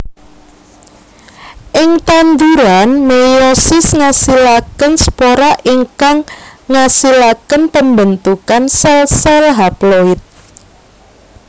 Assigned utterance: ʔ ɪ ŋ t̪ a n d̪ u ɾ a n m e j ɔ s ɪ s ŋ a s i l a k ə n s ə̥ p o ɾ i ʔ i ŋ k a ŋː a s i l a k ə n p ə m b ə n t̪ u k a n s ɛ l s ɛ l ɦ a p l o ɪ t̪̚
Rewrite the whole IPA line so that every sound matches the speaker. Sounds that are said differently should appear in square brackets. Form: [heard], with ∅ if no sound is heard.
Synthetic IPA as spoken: ʔ ɪ ŋ t̪ a n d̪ u ɾ a n m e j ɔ s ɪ s ŋ a s i l a k ə n s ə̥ p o ɾ [a] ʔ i ŋ k a ŋː a s i l a k ə n p ə m b ə n t̪ u k a n s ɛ l s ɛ l ɦ a p l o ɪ t̪̚

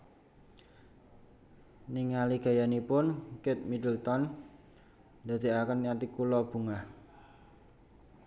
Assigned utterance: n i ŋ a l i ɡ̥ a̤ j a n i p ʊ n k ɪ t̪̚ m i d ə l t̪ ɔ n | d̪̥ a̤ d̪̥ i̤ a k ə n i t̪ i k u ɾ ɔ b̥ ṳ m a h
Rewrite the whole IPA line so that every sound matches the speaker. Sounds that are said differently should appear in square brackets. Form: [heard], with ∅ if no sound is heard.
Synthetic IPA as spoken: n i ŋ a l i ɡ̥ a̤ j a n i p ʊ n k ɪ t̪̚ m i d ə l t̪ ɔ n | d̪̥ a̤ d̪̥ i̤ a k ə n [a] t̪ i k u [l] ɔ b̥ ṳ [ŋ] a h

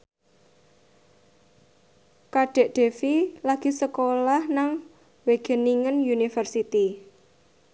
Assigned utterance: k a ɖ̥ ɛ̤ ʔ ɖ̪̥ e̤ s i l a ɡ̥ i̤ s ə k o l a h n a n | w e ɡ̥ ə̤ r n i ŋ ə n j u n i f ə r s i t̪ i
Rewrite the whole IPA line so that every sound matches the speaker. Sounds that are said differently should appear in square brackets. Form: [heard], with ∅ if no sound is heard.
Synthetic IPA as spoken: k a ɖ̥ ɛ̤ ʔ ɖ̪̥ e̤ [f] i l a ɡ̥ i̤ s ə k o l a h n a [ŋ] | w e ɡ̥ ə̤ [∅] n i ŋ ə n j u n i f ə r s i t̪ i

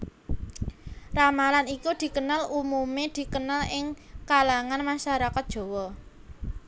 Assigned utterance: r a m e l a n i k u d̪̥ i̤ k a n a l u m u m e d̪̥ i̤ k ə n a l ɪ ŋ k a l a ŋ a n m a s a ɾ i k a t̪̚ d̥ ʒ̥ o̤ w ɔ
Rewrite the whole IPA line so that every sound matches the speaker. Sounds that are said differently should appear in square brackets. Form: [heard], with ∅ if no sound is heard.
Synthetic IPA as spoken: r a m [a] l a n i k u d̪̥ i̤ k [ə] n a l u m u m e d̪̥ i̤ k ə n a l ɪ ŋ k a l a ŋ a n m a [ʃ] a ɾ [a] k a t̪̚ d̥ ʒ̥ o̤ w ɔ

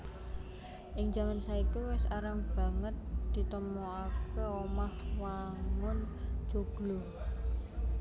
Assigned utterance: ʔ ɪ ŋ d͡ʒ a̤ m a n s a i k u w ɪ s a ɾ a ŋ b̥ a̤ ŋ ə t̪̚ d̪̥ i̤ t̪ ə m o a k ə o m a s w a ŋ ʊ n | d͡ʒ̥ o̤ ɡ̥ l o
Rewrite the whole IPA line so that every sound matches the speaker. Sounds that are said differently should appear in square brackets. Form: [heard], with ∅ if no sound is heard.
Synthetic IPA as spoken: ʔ ɪ ŋ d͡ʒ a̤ m a n s a i k u w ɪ s a ɾ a ŋ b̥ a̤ ŋ ə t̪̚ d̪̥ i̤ t̪ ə m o a k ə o m a [h] w a ŋ ʊ n | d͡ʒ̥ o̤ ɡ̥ l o

